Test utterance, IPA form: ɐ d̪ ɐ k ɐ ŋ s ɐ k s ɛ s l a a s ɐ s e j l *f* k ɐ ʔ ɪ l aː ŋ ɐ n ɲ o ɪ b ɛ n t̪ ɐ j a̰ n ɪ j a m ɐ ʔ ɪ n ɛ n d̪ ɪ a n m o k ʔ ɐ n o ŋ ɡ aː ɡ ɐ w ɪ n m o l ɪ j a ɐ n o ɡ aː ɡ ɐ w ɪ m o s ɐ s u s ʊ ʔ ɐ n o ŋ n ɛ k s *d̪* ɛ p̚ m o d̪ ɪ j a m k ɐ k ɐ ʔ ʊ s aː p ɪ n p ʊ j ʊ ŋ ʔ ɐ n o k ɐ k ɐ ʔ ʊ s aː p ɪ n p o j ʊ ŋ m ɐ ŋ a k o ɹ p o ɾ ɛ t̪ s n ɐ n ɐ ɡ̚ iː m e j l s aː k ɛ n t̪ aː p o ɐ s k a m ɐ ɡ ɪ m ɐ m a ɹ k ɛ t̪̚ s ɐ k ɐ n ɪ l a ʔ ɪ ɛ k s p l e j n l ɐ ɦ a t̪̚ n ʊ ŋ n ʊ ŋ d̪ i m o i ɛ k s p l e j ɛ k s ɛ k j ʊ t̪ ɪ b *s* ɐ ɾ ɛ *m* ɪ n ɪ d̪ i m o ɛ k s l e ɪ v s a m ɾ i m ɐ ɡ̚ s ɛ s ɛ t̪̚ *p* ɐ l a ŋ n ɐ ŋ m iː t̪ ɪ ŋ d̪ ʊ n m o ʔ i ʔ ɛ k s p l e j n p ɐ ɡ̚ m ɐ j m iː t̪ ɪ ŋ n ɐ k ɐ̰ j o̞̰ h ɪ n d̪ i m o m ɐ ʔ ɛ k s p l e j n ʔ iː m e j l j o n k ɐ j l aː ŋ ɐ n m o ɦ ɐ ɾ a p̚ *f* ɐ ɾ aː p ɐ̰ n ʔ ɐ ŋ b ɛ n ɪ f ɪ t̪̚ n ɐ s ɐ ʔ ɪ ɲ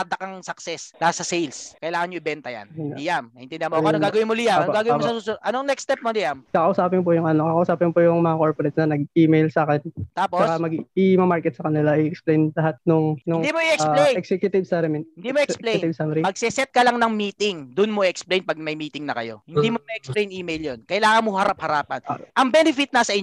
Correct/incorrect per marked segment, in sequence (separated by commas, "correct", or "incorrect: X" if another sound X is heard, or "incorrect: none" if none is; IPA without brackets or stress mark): incorrect: s, incorrect: t̪, correct, correct, incorrect: k, incorrect: h